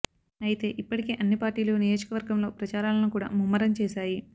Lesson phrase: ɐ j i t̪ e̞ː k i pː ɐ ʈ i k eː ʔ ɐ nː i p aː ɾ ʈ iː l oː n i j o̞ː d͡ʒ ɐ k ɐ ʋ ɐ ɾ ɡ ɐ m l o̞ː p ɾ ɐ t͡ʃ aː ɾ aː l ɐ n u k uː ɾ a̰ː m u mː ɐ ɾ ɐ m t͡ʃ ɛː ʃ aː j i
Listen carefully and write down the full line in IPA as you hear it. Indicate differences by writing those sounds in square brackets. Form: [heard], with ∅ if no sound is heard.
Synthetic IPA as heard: ɐ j i t̪ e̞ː [ʔ] i pː ɐ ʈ i k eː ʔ ɐ nː i p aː ɾ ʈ iː l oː n i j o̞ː d͡ʒ ɐ k ɐ ʋ ɐ ɾ ɡ ɐ m l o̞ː p ɾ ɐ t͡ʃ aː ɾ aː l ɐ n u k uː [ɽ] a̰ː m u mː ɐ ɾ ɐ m t͡ʃ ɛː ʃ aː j i